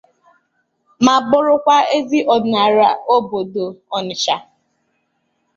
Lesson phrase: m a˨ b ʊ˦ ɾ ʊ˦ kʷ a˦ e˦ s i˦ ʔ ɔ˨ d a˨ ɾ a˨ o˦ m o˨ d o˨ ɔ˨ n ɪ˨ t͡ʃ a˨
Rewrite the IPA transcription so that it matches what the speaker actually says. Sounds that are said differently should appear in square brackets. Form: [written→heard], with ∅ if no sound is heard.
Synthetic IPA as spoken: m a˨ b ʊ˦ ɾ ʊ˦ kʷ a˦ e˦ [s→z] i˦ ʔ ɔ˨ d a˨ ɾ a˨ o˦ [m→b] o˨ d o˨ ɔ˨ n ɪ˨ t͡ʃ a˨